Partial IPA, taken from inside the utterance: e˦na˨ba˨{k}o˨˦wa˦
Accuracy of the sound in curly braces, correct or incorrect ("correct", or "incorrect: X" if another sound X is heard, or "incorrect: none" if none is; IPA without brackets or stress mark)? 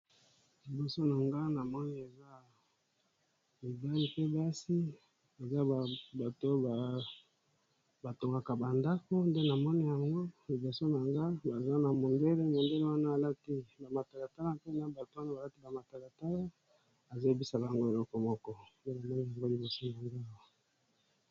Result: incorrect: t